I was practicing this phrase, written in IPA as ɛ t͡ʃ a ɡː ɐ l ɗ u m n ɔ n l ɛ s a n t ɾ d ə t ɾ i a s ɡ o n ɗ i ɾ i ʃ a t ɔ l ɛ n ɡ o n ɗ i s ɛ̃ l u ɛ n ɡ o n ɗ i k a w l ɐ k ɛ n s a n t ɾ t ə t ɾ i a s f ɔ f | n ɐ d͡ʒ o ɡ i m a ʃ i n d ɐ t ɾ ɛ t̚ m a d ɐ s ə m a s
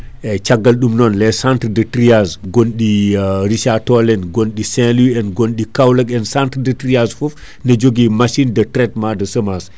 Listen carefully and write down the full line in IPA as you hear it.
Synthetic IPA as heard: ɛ t͡ʃ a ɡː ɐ l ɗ u m n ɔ n l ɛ s a n t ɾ d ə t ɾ i a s ɡ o n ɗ i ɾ i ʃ a t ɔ l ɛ n ɡ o n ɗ i s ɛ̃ l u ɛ n ɡ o n ɗ i k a w l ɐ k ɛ n s a n t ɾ d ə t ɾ i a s f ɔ f | n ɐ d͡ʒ o ɡ i m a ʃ i n d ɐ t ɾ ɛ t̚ m a d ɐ s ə m a s